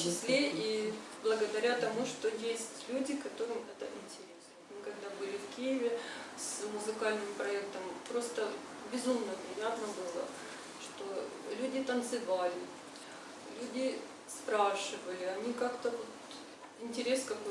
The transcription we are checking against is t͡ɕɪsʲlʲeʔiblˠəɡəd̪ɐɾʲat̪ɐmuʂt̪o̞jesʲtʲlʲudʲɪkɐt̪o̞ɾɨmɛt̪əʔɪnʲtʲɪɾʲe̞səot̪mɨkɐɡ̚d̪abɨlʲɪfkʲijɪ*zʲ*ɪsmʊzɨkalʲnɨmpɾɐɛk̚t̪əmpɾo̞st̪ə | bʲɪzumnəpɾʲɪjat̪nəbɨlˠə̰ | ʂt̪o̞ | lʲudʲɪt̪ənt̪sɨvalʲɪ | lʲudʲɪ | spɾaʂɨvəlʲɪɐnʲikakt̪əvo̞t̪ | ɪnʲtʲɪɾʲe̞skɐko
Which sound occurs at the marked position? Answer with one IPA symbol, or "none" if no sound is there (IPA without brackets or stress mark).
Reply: vʲ